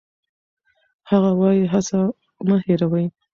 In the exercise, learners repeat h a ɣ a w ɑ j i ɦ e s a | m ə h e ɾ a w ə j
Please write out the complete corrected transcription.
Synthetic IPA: h a ɣ a w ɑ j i ɦ a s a | m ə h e ɾ a w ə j